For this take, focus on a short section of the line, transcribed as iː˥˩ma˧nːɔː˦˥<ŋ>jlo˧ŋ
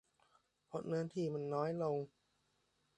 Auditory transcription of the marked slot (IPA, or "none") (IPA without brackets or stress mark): none